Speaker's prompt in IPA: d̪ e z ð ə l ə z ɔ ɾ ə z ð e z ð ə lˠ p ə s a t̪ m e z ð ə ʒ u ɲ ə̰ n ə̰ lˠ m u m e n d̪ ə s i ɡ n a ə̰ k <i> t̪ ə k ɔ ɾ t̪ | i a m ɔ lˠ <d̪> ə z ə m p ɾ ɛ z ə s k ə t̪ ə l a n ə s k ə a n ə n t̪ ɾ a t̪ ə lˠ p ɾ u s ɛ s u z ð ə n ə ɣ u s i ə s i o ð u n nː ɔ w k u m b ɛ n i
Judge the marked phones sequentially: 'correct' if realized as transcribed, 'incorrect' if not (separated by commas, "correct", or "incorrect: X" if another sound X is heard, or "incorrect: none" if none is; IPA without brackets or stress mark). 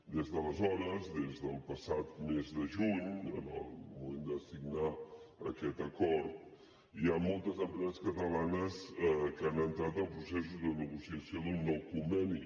incorrect: ɛ, incorrect: t̪